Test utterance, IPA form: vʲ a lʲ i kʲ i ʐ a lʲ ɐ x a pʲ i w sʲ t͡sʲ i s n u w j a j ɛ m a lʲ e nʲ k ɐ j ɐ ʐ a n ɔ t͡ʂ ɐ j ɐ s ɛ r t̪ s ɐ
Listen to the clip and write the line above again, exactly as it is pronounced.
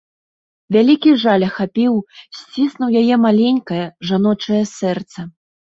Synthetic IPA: vʲ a lʲ i kʲ i ʐ a lʲ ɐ x a pʲ i w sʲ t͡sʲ i s n u w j a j ɛ m a lʲ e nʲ k ɐ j ɐ ʐ a n ɔ t͡ʂ ɐ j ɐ s ɛ r t̪ s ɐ